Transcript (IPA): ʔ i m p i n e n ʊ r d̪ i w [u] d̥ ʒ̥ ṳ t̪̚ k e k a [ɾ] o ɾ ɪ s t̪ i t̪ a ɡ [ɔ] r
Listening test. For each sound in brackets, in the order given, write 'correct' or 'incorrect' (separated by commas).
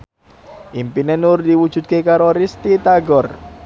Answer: correct, correct, correct